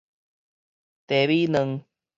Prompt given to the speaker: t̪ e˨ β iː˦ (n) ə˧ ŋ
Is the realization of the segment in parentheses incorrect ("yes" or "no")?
no